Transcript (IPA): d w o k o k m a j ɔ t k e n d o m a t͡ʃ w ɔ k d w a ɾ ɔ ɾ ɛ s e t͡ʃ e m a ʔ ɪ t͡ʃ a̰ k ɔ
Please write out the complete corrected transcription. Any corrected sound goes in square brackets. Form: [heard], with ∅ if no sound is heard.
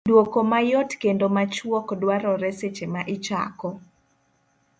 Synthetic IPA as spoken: d w o k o [∅] m a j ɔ t k e n d o m a t͡ʃ w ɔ k d w a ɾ ɔ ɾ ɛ s e t͡ʃ e m a ʔ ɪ t͡ʃ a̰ k ɔ